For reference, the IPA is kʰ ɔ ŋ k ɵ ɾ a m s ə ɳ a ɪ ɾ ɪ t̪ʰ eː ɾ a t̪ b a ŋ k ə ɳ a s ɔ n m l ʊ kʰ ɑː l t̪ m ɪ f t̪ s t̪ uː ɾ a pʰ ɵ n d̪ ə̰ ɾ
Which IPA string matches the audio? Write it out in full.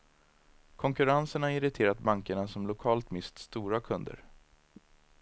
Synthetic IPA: kʰ ɔ ŋ k ɵ ɾ a n s ə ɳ a ɪ ɾ ɪ t̪ʰ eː ɾ a t̪ b a ŋ k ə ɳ a s ɔ m l ʊ kʰ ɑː l t̪ m ɪ s t̪ s t̪ uː ɾ a kʰ ɵ n d̪ ə̰ ɾ